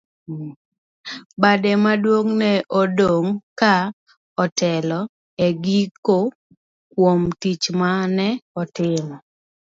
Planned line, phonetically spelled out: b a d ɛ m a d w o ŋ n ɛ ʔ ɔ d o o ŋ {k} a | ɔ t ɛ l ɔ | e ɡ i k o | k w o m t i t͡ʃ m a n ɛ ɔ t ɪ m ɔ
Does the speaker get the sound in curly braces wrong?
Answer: no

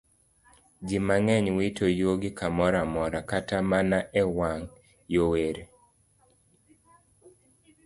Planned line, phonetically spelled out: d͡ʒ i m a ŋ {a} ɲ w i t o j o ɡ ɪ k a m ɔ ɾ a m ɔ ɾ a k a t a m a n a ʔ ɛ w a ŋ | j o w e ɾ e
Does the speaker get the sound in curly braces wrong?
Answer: yes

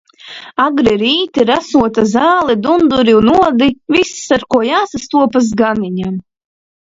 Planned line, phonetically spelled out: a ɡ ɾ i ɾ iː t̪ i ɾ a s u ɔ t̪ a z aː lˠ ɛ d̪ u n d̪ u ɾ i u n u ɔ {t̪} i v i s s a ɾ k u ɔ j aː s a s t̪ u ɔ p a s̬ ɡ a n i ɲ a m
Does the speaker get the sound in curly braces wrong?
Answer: yes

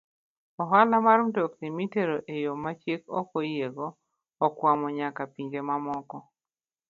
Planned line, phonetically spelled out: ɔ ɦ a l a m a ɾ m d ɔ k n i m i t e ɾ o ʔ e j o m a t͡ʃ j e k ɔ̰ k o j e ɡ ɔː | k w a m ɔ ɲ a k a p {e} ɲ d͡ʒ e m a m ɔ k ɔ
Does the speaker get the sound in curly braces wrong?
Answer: yes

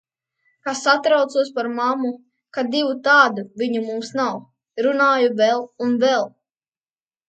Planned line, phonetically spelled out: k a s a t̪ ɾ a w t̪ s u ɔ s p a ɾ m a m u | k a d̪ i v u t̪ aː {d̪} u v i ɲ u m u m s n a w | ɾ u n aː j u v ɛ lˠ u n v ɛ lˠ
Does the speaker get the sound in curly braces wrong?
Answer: no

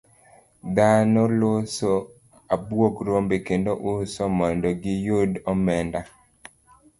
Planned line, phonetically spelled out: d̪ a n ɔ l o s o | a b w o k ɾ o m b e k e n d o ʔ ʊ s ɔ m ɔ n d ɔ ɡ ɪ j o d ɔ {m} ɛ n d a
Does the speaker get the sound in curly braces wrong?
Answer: no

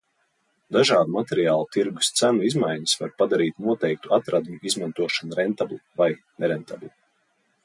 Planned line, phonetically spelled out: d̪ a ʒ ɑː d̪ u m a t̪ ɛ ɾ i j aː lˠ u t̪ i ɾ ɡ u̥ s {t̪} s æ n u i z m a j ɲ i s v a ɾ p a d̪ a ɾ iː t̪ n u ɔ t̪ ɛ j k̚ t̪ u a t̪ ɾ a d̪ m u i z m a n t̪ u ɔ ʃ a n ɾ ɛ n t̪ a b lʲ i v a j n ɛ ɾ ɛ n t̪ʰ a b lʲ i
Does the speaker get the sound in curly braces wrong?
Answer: no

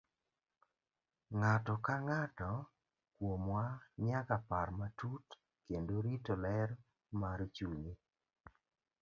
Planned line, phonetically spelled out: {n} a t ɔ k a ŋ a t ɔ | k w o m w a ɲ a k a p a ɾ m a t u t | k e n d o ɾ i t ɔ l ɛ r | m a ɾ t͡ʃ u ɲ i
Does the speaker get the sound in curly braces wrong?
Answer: yes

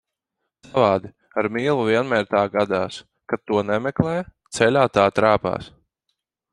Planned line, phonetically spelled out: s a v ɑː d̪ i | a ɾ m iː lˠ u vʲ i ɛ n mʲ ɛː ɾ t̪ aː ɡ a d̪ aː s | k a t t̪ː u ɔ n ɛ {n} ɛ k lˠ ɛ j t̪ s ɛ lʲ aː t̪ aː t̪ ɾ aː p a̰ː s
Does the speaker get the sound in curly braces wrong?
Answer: yes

